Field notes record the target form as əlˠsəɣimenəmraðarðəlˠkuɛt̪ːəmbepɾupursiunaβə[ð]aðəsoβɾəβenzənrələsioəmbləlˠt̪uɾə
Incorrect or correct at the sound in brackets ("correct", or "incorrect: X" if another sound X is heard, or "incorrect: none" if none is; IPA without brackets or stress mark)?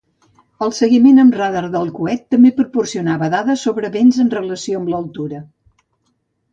correct